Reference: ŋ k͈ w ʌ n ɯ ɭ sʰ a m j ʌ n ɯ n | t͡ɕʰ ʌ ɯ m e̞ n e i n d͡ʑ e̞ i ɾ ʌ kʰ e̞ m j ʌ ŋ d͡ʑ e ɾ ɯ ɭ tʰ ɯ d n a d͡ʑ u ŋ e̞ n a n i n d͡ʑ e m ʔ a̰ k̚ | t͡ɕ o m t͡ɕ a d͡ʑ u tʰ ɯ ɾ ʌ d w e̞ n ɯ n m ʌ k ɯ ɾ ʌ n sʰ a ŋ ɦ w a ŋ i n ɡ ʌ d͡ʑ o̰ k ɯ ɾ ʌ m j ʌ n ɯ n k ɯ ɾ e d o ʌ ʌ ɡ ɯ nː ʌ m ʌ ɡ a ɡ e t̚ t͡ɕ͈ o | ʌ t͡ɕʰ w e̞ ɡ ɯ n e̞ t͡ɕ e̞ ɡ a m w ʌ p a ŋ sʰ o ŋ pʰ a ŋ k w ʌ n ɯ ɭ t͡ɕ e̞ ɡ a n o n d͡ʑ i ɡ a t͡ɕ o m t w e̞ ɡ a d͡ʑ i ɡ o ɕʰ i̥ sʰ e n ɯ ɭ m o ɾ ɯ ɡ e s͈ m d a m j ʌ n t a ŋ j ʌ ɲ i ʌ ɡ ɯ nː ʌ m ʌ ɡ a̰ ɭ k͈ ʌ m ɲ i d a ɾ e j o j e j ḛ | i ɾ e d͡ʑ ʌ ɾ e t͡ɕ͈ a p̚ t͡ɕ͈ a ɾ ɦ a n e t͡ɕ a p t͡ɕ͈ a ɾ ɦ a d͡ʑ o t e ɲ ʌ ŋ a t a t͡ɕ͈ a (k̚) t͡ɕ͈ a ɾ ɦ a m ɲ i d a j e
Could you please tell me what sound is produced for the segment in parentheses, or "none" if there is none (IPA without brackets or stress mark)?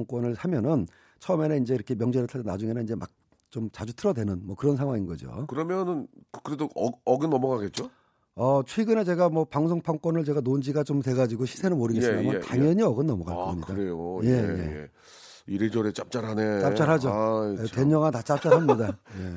p̚